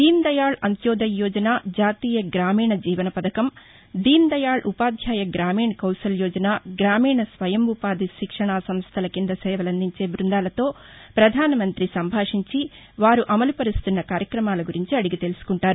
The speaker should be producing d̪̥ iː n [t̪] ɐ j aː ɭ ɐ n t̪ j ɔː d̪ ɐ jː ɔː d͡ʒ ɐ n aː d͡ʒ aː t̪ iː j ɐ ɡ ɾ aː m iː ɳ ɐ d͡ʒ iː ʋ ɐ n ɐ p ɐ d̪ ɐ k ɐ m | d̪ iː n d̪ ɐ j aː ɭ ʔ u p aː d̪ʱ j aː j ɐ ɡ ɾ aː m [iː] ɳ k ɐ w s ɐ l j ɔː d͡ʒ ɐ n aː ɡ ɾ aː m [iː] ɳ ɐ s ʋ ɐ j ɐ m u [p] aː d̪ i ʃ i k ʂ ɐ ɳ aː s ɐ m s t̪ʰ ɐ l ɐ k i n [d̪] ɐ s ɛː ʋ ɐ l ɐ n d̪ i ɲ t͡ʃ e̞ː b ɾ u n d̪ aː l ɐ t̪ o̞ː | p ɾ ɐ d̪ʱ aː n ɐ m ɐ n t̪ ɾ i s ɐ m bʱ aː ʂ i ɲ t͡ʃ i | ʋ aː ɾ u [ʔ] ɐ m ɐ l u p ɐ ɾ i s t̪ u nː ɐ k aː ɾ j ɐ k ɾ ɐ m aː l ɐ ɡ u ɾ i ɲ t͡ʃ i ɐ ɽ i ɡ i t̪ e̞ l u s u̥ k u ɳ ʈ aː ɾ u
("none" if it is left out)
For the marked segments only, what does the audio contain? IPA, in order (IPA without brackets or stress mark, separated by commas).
d̪, iː, iː, p, d̪, ʔ